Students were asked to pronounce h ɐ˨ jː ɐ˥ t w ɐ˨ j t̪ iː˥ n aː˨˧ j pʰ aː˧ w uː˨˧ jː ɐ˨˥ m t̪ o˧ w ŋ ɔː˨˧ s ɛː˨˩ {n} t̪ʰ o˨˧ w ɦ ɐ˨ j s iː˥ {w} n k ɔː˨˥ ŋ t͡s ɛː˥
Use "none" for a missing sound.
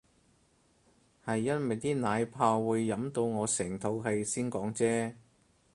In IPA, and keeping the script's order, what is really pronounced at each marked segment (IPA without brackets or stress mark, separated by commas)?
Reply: ŋ, none